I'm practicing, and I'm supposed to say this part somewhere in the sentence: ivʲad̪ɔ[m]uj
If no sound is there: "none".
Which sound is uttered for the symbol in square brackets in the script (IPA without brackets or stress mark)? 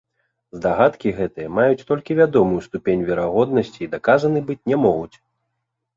m